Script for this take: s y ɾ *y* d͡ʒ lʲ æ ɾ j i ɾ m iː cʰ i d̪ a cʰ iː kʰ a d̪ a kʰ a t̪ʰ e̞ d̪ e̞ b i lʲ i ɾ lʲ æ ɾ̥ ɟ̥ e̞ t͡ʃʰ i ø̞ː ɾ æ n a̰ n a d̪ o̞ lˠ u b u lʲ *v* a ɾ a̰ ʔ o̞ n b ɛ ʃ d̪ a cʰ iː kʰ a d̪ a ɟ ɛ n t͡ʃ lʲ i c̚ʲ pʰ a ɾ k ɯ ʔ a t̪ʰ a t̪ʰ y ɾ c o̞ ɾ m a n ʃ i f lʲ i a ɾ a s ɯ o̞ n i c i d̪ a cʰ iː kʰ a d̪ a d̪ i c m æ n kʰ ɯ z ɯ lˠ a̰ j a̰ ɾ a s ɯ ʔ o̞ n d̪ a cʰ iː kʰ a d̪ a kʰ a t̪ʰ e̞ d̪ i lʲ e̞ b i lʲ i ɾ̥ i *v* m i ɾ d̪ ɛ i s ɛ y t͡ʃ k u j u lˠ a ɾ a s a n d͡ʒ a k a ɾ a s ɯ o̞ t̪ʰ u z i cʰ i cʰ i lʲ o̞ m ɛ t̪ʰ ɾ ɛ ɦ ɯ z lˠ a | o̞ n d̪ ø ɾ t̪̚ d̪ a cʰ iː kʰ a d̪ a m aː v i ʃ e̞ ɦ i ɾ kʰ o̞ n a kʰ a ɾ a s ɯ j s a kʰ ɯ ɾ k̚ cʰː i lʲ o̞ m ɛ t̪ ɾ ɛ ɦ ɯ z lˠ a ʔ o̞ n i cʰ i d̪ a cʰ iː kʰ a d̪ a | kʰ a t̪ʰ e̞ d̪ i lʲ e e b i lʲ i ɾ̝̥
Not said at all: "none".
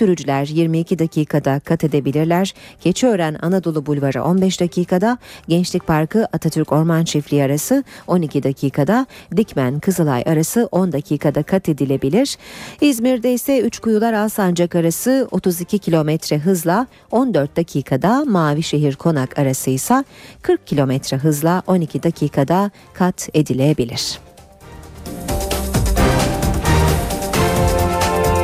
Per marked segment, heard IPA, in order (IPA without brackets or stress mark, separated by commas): y, v, z